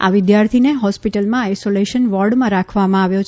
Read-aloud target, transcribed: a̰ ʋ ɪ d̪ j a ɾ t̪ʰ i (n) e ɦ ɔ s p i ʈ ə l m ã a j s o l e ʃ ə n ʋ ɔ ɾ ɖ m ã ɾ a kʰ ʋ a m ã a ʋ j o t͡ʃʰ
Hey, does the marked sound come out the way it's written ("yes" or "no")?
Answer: yes